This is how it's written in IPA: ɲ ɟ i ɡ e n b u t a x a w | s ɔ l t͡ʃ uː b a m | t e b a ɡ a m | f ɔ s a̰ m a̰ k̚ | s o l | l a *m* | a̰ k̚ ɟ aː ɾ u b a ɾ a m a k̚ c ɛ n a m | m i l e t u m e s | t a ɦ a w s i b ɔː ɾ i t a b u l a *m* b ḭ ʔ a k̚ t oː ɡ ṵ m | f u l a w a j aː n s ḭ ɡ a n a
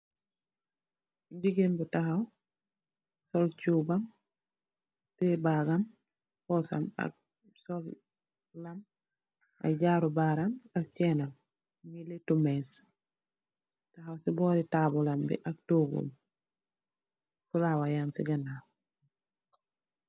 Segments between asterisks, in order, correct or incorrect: correct, correct

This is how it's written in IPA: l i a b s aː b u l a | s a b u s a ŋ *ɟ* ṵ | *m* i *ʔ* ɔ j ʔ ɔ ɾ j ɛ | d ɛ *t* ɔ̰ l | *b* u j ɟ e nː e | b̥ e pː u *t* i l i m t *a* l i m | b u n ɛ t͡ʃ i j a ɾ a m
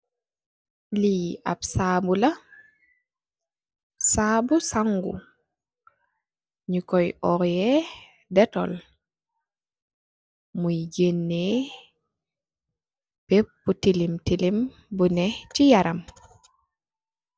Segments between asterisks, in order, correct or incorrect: incorrect: ɡ, incorrect: ɲ, incorrect: k, correct, incorrect: m, correct, incorrect: i

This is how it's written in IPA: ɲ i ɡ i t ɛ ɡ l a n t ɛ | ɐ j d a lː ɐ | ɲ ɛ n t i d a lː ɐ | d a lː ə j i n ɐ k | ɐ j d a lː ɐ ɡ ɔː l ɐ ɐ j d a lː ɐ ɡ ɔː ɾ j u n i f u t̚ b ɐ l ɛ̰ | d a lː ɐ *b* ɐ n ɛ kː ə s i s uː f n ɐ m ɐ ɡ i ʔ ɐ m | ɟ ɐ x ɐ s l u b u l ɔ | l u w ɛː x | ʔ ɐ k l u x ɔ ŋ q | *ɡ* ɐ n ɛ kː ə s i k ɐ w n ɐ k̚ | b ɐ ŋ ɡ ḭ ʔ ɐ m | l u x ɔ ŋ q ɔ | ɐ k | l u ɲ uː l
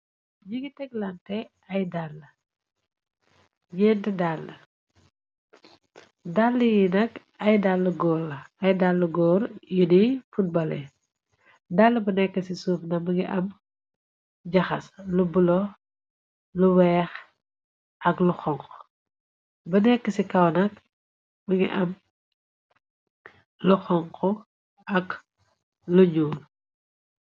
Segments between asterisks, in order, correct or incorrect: correct, incorrect: b

